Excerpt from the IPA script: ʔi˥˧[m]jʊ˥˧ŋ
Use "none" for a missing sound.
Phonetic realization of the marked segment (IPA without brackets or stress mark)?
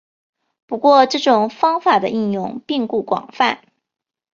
n